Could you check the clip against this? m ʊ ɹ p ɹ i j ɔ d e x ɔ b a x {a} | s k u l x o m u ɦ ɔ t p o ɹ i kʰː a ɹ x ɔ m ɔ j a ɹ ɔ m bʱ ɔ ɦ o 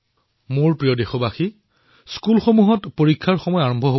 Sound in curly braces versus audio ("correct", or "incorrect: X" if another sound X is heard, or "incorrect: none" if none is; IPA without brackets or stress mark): incorrect: i